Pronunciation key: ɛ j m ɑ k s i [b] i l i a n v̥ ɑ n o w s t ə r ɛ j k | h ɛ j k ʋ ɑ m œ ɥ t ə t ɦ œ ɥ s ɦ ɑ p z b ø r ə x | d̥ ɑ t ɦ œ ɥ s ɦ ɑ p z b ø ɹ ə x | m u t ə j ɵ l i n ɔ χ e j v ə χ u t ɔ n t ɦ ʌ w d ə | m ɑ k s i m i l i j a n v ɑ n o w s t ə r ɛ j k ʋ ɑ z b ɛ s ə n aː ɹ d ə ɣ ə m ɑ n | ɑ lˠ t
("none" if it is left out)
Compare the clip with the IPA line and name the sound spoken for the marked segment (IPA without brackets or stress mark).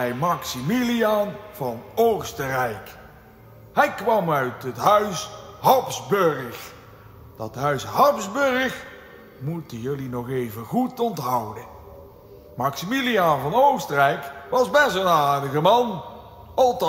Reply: m